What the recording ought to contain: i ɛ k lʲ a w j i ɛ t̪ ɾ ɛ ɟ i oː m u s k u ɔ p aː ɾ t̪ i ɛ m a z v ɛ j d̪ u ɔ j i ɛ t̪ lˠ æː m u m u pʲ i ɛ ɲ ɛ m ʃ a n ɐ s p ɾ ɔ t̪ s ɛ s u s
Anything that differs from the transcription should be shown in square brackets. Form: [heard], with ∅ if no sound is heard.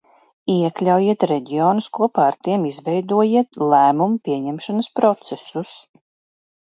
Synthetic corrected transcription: i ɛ k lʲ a w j i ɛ t̪ ɾ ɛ ɟ i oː [n] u s k u ɔ p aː ɾ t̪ i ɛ m [i] z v ɛ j d̪ u ɔ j i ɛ t̪ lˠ æː m u m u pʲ i ɛ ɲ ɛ m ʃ a n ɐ s p ɾ ɔ t̪ s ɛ s u s